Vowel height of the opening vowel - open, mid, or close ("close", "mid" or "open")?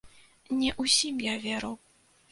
mid